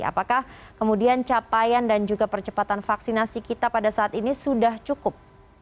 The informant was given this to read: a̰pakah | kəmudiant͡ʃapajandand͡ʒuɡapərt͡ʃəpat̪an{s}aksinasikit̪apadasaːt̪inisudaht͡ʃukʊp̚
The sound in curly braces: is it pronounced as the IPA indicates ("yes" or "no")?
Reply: no